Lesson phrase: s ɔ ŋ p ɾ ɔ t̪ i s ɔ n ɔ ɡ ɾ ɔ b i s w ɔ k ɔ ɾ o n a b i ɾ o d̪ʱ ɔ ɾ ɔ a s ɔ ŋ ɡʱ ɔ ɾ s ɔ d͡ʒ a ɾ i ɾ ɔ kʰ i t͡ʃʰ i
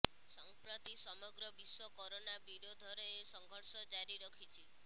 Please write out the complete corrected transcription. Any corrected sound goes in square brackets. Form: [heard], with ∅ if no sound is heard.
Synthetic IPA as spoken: s ɔ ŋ p ɾ ɔ t̪ i s ɔ [m] ɔ ɡ ɾ ɔ b i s w ɔ k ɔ ɾ o n a b i ɾ o d̪ʱ ɔ ɾ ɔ [e] s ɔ ŋ ɡʱ ɔ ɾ s ɔ d͡ʒ a ɾ i ɾ ɔ kʰ i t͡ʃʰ i